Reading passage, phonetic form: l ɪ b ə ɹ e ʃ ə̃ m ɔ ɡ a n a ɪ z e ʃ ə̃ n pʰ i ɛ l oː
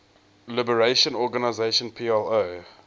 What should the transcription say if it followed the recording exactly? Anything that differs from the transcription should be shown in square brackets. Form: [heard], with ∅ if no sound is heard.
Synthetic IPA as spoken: l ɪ b ə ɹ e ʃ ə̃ [n] ɔ ɡ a n a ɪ z e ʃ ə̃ n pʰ i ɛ l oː